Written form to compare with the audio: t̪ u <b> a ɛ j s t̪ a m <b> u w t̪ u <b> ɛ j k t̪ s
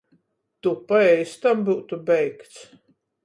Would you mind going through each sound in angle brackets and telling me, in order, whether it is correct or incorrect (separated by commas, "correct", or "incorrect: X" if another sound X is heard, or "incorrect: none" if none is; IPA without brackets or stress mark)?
incorrect: p, correct, correct